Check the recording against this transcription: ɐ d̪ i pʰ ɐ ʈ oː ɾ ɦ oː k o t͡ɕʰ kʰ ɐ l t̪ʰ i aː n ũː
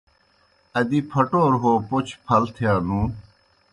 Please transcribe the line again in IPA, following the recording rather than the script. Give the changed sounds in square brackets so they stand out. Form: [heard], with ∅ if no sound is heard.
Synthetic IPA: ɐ d̪ i pʰ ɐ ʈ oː ɾ ɦ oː [p] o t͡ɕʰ [pʰ] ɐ l t̪ʰ [j] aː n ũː